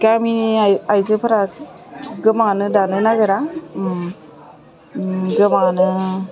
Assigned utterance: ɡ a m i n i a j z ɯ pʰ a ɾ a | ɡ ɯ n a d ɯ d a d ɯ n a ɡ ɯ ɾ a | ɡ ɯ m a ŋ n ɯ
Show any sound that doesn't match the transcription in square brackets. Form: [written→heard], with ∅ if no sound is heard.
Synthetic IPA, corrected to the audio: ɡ a m i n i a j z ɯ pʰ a ɾ a | ɡ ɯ [n→m] a [d→n] ɯ d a [d→n] ɯ n a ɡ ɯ ɾ a | ɡ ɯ m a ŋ n ɯ